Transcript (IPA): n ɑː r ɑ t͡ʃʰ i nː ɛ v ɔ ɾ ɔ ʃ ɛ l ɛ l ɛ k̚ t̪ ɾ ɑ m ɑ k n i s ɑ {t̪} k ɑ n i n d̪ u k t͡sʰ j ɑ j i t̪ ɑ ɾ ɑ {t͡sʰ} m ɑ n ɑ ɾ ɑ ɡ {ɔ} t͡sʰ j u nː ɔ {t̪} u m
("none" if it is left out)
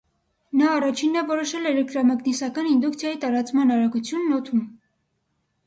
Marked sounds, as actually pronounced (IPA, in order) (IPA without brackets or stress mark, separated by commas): none, t͡s, u, t̪ʰ